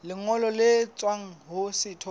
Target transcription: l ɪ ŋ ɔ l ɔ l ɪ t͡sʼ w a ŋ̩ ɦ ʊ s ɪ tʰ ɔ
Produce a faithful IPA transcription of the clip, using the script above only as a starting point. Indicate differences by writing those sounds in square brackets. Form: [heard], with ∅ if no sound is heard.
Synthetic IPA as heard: l ɪ ŋ ɔ l ɔ l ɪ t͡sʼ w a ŋ̩ ɦ ʊ s ɪ tʰ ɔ